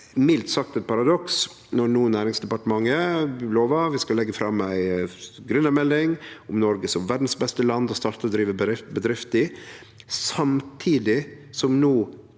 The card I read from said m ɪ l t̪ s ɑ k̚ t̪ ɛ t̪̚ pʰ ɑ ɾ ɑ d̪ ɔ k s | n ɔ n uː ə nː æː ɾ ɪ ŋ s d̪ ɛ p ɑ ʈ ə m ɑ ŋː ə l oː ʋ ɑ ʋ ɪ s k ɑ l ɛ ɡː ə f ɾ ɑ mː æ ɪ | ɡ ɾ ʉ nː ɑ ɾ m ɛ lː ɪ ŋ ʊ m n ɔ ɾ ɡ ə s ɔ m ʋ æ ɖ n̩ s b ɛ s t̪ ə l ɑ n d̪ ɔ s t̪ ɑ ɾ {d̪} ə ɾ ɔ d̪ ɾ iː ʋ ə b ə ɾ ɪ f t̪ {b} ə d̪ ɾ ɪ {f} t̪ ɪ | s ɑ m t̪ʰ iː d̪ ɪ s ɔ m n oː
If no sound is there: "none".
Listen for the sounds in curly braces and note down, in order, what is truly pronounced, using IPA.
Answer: t̪, b, f

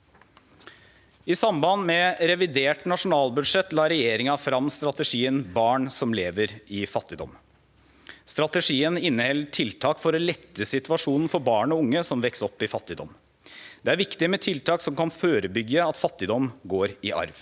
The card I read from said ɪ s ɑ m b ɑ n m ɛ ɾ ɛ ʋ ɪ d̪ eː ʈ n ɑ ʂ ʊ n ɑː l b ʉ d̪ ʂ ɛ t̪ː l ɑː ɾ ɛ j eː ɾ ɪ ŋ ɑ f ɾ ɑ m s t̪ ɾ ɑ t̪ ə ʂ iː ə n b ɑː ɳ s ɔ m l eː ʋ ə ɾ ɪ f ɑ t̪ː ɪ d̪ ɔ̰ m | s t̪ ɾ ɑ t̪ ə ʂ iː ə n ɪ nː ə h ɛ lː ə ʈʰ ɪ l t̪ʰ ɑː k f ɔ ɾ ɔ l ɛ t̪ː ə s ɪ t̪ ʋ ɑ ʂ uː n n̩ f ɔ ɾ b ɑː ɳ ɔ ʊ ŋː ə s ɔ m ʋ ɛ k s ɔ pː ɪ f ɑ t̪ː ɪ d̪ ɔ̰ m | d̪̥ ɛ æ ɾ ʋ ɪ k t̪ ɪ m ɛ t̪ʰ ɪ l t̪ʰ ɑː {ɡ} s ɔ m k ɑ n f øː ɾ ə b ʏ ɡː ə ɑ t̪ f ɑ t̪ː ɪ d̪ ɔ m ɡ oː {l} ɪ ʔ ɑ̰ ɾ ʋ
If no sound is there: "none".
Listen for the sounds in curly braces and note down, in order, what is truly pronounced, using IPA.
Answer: k, ɾ

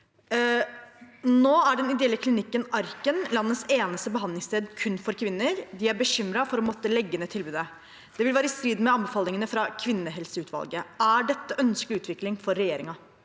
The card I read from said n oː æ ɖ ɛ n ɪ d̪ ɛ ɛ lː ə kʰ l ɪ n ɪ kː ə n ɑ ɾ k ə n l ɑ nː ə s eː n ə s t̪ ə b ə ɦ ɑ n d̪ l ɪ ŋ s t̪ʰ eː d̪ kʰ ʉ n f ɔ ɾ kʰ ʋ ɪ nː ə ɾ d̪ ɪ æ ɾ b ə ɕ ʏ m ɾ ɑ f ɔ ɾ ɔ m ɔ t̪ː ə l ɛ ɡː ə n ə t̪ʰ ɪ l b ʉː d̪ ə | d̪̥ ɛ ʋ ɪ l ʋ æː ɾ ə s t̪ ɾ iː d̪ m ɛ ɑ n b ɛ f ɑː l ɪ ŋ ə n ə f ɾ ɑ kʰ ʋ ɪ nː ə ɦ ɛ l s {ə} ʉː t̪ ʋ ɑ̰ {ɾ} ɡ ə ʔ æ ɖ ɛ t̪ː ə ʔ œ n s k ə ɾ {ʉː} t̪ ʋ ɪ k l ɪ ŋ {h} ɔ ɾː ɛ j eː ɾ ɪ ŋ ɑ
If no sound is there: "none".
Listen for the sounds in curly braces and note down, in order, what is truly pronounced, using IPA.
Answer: ə, l, ʉː, f

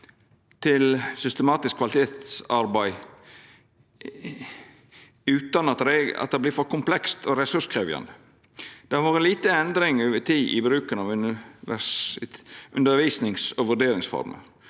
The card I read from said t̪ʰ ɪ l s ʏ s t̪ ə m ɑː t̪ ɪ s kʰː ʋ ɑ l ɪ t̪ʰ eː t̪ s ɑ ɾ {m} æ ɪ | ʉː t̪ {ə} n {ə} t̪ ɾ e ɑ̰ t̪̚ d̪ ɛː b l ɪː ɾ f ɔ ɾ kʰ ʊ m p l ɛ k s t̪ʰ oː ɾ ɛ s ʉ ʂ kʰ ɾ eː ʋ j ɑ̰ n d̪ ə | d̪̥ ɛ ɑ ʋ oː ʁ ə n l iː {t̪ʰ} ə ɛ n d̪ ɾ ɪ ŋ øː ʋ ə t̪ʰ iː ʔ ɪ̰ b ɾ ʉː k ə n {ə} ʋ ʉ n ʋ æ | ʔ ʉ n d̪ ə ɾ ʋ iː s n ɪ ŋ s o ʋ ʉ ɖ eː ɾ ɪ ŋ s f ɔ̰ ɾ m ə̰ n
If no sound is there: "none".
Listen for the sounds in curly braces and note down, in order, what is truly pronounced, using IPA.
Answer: b, ɑ, ɑ, t̪, ɑ

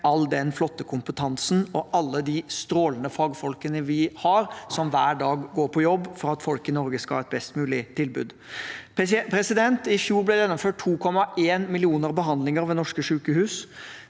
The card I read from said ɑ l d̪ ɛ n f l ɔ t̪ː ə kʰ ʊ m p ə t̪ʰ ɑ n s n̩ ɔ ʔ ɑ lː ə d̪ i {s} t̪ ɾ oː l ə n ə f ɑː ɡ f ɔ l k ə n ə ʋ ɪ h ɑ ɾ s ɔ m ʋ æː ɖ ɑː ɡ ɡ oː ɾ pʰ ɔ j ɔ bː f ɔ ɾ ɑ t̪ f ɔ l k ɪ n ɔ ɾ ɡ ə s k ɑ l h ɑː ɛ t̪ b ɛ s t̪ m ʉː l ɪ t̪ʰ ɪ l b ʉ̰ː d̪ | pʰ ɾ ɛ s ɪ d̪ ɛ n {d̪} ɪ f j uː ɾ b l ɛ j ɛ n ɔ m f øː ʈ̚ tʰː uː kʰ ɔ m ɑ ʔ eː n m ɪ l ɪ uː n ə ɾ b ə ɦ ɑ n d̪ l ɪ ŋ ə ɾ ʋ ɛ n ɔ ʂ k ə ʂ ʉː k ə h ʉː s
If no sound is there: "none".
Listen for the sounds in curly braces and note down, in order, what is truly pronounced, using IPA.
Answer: s, t̪

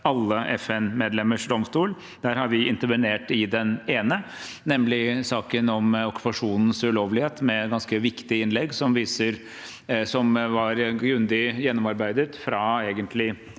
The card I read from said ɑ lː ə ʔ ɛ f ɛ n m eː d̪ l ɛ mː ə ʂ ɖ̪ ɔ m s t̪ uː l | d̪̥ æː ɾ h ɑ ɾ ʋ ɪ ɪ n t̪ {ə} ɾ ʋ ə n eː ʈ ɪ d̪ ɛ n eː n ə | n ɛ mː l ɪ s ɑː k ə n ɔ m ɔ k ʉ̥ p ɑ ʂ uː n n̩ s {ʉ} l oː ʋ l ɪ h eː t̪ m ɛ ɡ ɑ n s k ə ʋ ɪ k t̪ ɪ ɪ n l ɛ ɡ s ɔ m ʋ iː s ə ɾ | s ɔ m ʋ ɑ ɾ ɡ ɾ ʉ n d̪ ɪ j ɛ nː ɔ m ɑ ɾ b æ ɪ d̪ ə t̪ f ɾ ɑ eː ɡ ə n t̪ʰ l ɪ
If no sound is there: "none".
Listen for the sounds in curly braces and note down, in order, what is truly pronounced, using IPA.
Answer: ə, ʉ

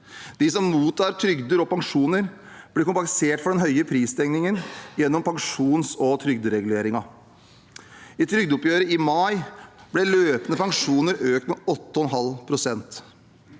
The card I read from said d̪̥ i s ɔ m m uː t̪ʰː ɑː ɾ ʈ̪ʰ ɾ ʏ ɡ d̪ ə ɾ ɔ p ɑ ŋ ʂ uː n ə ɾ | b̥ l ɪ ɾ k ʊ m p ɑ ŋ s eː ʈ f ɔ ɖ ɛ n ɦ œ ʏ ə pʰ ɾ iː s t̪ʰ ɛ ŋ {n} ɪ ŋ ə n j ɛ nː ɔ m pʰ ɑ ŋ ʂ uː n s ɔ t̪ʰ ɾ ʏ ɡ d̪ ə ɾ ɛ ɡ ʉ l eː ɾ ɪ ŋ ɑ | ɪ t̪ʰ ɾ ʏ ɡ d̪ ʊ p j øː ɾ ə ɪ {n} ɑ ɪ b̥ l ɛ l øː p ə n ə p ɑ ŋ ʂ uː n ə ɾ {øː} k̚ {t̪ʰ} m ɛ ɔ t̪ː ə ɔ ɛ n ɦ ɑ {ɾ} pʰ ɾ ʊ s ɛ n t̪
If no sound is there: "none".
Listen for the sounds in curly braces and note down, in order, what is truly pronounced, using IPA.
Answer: n, m, øː, t̪, l

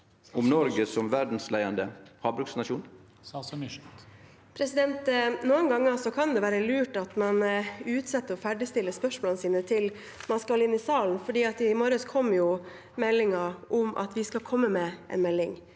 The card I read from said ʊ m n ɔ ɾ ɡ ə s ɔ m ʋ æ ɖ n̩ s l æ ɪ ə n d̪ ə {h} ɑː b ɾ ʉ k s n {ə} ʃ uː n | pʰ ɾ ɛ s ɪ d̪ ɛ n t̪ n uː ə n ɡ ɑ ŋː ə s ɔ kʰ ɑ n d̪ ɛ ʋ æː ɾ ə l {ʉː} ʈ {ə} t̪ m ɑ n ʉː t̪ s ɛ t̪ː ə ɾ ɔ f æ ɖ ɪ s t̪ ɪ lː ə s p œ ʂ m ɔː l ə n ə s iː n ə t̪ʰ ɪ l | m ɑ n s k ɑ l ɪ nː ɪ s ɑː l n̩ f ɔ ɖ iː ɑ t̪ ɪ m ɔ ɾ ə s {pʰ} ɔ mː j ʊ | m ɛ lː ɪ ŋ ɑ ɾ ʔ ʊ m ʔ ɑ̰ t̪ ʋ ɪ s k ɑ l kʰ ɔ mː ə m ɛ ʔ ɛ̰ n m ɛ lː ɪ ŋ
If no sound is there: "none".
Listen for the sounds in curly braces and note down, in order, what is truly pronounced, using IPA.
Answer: h, ɑ, ʉː, ɑ, kʰ

